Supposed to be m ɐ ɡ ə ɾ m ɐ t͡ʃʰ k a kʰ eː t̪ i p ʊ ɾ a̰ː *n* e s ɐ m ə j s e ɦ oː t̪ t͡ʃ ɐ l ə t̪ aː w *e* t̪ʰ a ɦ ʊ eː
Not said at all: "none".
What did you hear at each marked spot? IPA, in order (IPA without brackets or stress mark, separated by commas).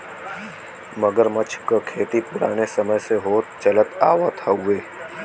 n, a